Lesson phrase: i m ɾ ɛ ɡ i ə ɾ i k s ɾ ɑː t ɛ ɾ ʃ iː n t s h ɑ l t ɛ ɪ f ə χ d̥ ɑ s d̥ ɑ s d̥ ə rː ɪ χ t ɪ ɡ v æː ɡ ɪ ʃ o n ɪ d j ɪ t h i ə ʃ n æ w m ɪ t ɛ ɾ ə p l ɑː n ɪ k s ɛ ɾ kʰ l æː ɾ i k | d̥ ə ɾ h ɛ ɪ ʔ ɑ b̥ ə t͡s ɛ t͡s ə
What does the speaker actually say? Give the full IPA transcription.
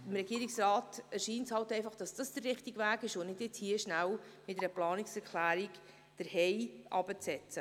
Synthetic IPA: ɪ m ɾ ɛ ɡ i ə ɾ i k s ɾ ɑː t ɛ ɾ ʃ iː n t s h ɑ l t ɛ ɪ f ɑ χ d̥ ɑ s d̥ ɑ s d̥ ə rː ɪ χ t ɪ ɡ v æː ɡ ɪ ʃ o n ɪ d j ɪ t͡s h i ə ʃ n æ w m ɪ t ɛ ɾ ə p l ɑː n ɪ k s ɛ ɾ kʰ l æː ɾ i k | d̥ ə ɾ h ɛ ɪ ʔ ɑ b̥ ə t͡s ɛ t͡s ə